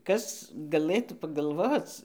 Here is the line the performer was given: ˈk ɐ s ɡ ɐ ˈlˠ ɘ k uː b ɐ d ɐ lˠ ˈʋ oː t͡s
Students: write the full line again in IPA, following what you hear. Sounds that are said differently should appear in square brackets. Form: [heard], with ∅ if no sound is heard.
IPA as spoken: ˈk ɐ s ɡ ɐ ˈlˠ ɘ [t] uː [p] ɐ [ɡ] ɐ lˠ ˈʋ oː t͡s